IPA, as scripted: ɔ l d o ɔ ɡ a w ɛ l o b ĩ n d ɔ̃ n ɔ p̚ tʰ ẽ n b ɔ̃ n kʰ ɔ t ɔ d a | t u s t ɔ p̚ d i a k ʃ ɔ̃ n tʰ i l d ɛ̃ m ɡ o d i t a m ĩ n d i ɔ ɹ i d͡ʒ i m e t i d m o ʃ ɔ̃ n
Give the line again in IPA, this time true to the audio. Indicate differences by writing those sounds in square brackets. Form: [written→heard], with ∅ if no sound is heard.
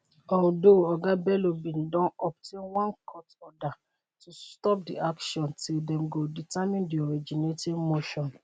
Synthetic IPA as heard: ɔ l d o ɔ ɡ a [w→b] ɛ l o b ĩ n d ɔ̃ n ɔ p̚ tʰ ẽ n [b→w] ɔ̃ n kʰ ɔ t ɔ d a | t u s t ɔ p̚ d i a k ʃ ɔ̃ n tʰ i l d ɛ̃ m ɡ o d i t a m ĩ n d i ɔ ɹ i d͡ʒ i [m→n] e t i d m o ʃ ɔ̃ n